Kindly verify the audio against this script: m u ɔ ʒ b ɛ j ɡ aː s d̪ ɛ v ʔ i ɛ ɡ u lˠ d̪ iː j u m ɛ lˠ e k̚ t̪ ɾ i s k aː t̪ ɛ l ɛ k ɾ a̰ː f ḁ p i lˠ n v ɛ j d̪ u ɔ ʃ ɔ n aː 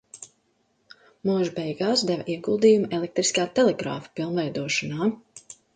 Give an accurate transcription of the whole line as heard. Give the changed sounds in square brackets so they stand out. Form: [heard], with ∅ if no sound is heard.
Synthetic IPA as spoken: m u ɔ ʒ b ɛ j ɡ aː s d̪ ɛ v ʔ i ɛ ɡ u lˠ d̪ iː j u m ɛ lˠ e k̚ t̪ ɾ i s k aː t̪ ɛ l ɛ [ɡ] ɾ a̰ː f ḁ p i lˠ n v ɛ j d̪ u ɔ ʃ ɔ n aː